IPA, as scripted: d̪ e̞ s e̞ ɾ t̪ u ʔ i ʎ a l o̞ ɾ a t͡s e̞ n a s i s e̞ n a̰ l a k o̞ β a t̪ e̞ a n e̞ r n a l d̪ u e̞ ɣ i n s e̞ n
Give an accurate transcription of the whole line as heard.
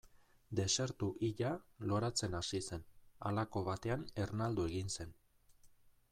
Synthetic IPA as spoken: d̪ e̞ s e̞ ɾ t̪ u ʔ i ʎ a l o̞ ɾ a t͡s e̞ n a s i s e̞ n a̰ l a k o̞ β a t̪ e̞ a n e̞ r n a l d̪ u e̞ ɣ i n s e̞ n